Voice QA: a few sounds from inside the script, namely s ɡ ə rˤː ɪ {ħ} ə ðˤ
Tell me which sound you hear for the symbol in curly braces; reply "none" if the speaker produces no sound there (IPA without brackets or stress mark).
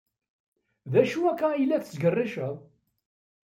ʃ